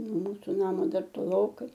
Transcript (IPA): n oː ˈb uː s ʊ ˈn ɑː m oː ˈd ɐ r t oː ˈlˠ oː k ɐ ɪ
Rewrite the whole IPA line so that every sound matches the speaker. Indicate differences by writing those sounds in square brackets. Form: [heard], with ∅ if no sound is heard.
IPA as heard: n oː [ˈm] uː s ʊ ˈn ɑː m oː ˈd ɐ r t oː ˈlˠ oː k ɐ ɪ